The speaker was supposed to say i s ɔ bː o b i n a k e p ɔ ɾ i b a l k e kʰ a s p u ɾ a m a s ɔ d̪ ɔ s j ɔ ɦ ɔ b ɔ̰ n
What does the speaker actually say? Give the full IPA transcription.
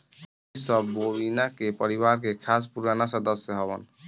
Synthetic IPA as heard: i s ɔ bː o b i n a k e p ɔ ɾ i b a ɾ k e kʰ a s p u ɾ a n a s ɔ d̪ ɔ s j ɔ ɦ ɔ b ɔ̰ n

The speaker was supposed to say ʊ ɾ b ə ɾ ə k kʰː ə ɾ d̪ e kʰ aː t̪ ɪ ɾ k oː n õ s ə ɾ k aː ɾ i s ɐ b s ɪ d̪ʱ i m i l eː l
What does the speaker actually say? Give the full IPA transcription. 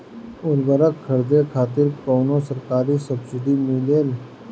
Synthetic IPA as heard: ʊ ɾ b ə ɾ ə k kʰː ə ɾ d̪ e kʰ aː t̪ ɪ ɾ k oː n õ s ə ɾ k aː ɾ i s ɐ b s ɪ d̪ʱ i m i l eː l

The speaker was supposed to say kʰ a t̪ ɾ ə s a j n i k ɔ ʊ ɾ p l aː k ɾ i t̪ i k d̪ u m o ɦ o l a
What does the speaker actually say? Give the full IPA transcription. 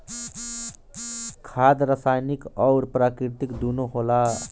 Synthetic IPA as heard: kʰ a d̪ ɾ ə s a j n i k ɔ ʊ ɾ p ɾ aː k ɾ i t̪ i k d̪ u n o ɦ o l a

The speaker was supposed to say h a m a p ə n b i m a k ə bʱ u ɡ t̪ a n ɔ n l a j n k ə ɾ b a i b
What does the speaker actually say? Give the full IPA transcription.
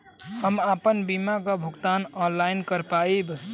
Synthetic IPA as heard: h ə m a p ə n b i m a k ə bʱ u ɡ t̪ a n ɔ n l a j n k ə ɾ p a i b

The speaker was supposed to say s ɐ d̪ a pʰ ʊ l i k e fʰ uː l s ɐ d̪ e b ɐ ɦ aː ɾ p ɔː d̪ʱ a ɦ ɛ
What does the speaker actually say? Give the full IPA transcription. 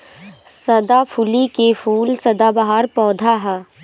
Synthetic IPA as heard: s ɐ d̪ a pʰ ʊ l i k e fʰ uː l s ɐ d̪ a b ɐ ɦ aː ɾ p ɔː d̪ʱ a ɦ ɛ

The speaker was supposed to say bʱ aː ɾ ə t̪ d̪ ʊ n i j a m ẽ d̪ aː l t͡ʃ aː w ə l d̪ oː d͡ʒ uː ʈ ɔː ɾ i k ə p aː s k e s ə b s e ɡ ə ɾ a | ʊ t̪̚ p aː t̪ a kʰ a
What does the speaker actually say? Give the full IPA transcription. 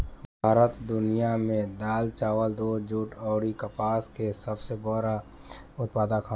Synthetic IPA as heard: bʱ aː ɾ ə t̪ d̪ ʊ n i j a m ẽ d̪ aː l t͡ʃ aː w ə l d̪ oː d͡ʒ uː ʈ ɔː ɾ i k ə p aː s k e s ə b s e b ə ɾ a | ʊ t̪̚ p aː d̪ a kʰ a

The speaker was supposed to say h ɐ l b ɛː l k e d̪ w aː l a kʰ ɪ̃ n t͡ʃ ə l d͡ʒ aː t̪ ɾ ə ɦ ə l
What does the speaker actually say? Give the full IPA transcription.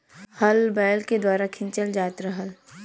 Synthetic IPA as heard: h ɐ l b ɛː l k e d̪ w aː ɾ a kʰ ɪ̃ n t͡ʃ ə l d͡ʒ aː t̪ ɾ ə ɦ ə l

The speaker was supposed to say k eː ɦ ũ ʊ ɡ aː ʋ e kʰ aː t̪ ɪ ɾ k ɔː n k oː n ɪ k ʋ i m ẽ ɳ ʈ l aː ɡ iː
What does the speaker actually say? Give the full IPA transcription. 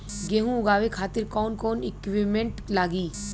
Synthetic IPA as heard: ɡ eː ɦ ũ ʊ ɡ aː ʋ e kʰ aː t̪ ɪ ɾ k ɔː n k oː n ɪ k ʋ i m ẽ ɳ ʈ l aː ɡ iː

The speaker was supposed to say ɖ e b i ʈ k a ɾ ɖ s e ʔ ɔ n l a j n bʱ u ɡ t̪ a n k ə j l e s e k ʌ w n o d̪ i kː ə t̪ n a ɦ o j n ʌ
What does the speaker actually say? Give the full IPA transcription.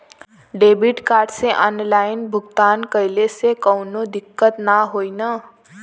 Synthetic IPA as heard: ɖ e b i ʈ k a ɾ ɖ s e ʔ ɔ n l a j n bʱ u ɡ t̪ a n k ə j l e s e k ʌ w n o d̪ i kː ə t̪ n a ɦ o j n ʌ

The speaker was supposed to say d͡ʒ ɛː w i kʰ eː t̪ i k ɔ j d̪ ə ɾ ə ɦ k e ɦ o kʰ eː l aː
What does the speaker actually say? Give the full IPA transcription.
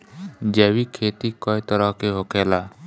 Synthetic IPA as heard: d͡ʒ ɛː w i kʰ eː t̪ i k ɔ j t̪ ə ɾ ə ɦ k e ɦ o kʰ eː l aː

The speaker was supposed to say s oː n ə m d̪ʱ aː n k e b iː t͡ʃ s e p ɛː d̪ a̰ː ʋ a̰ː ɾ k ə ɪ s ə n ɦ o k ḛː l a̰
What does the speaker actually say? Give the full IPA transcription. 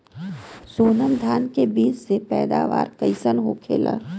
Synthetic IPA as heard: s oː n ə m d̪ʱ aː n k e b iː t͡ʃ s e p ɛː d̪ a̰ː ʋ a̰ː ɾ k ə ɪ s ə n ɦ o kʰ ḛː l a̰

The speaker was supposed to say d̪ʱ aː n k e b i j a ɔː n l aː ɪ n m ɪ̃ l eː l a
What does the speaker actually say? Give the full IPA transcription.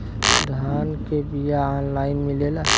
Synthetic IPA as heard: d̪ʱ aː n k e b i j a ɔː n l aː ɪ n m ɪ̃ l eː l a

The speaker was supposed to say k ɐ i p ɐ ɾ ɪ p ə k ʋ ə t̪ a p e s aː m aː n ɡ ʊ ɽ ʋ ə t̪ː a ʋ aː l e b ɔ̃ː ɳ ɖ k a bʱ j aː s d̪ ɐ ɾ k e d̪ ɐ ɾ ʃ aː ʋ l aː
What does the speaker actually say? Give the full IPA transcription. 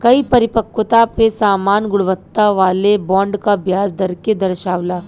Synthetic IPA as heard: k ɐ i p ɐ ɾ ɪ p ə k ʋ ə t̪ a p e s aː m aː n ɡ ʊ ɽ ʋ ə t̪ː a ʋ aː l e b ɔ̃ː ɳ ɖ k a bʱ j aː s d̪ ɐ ɾ k e d̪ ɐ ɾ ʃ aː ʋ l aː

